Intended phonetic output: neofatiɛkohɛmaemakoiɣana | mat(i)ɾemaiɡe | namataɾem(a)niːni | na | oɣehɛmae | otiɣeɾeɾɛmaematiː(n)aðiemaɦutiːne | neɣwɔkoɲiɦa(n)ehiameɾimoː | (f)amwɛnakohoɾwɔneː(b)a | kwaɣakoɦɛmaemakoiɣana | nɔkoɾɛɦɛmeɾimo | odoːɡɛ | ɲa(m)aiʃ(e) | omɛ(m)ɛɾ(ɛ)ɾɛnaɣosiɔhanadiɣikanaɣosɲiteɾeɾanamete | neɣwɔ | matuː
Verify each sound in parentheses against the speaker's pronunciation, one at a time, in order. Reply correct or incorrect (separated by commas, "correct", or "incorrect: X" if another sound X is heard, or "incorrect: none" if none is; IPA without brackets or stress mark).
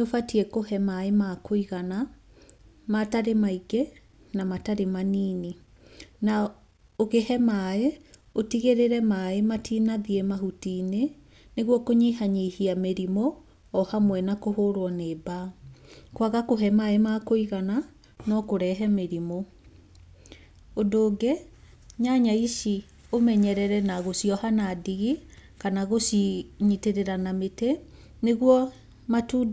incorrect: a, correct, correct, incorrect: ɲ, incorrect: h, correct, incorrect: ɲ, incorrect: i, incorrect: ɲ, correct